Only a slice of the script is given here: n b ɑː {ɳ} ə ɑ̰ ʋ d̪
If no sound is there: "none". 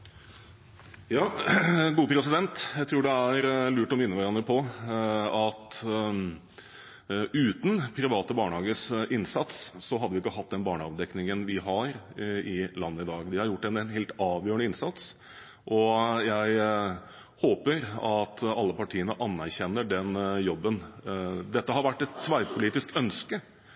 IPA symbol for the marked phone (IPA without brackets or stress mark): ɳ